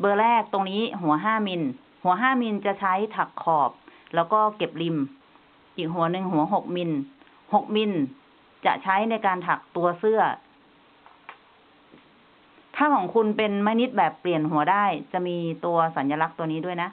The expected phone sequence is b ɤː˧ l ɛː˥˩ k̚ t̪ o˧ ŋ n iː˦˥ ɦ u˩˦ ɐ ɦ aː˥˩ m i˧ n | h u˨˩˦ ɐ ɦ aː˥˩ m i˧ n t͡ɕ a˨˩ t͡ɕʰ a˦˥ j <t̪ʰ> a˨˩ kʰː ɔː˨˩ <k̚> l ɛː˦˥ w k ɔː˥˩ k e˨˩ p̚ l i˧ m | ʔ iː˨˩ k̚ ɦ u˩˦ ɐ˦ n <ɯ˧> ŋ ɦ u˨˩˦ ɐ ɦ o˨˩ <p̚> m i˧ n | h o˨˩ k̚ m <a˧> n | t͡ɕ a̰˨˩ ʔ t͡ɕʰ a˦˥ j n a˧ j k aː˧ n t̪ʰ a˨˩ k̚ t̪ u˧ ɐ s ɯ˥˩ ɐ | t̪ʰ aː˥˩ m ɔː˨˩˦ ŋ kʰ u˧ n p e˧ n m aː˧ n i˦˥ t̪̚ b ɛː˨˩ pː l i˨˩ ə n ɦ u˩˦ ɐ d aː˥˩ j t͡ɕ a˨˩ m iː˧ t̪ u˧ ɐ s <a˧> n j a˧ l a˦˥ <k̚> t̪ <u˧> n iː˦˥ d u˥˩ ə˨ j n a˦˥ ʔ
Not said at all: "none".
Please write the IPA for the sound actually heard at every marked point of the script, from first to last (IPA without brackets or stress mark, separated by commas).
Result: t̪ʰ, p̚, ɯ˧, k̚, i˧, a˩˦, k̚, u˧